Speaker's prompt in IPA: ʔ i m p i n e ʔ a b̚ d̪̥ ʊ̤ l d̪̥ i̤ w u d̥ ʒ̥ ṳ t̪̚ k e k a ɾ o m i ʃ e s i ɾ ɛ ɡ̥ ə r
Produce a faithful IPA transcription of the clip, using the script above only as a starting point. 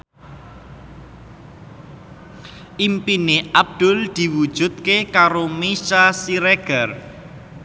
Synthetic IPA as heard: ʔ i m p i n e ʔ a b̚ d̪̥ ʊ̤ l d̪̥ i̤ w u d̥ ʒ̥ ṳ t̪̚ k e k a ɾ o m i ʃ a s i ɾ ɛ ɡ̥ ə r